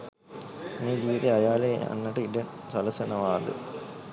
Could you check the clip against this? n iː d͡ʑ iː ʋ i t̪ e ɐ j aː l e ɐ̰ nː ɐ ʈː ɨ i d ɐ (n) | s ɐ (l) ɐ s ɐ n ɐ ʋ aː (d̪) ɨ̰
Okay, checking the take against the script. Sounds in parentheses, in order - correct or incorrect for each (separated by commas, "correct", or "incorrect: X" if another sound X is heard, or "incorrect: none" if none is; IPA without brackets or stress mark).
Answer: correct, correct, correct